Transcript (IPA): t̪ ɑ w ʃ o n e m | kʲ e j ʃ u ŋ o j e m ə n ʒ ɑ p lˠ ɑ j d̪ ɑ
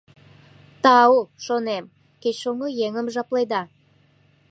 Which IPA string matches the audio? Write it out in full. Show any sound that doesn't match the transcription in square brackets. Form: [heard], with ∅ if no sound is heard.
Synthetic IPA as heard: t̪ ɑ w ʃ o n e m | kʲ e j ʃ [o] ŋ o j e [ŋ] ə [m] ʒ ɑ p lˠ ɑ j d̪ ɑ